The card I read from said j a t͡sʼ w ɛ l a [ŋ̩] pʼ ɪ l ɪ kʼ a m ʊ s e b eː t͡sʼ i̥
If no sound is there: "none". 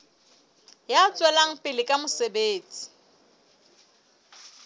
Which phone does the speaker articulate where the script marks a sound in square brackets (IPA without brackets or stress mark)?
ŋ̩